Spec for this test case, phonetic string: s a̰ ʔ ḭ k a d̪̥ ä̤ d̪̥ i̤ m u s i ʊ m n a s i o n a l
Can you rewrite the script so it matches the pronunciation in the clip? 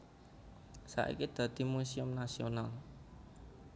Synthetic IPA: s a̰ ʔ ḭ k i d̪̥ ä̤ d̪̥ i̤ m u s i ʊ m n a s i o n a l